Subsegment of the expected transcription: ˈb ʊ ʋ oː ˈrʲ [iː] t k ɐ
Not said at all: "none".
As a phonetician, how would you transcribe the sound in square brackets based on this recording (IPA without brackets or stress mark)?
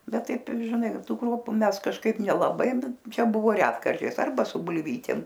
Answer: æː